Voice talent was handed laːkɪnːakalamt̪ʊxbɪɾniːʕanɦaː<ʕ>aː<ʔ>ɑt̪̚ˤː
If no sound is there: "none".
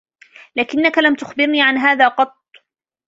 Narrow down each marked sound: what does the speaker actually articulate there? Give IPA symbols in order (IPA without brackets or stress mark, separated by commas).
ð, q